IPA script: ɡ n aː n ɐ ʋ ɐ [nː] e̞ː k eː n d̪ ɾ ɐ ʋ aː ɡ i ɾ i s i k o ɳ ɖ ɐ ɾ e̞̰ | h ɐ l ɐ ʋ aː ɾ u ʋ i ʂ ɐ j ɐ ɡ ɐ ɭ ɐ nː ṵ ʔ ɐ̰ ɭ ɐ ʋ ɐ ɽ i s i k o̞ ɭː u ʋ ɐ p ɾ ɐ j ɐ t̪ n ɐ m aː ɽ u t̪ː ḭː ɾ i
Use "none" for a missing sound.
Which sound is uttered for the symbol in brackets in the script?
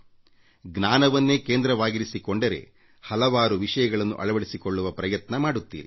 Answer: nː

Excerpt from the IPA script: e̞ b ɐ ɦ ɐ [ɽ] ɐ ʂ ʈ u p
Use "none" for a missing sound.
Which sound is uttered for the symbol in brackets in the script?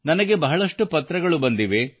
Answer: ɭ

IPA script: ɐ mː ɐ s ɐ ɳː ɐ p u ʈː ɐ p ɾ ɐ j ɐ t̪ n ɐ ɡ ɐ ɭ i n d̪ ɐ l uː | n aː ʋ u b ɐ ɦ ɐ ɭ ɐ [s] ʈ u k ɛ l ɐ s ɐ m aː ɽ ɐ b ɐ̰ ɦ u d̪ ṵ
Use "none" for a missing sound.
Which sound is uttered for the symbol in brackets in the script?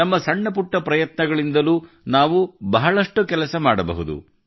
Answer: ʂ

